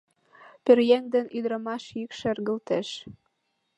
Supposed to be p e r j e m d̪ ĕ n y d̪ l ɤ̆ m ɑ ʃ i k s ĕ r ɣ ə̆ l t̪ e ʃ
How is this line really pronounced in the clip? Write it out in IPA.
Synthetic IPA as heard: p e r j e ŋ d̪ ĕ n y d̪ ɾ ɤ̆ m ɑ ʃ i k ʃ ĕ r ɣ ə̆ l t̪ e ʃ